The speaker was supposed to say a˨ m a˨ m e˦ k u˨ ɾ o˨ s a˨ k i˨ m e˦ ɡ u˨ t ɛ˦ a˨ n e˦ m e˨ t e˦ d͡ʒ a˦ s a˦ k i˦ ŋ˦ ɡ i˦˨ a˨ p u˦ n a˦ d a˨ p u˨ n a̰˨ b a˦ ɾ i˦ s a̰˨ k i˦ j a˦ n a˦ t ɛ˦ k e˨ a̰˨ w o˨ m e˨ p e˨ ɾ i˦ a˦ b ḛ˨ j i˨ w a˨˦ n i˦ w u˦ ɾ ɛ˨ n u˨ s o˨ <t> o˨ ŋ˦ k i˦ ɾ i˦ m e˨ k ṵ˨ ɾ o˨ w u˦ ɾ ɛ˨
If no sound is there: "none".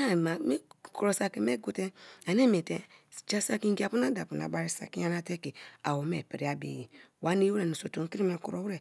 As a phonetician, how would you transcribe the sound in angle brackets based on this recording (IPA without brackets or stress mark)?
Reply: t